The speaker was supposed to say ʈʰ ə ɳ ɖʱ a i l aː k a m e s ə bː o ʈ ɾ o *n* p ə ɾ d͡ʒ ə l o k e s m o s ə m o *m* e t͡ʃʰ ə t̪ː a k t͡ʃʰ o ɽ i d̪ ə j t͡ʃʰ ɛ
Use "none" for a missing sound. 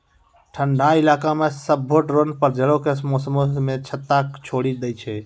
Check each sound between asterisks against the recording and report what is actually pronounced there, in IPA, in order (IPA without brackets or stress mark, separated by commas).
n, m